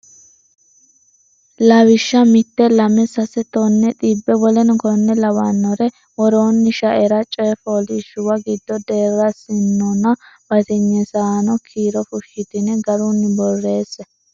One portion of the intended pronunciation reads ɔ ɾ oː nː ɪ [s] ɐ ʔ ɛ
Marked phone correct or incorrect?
incorrect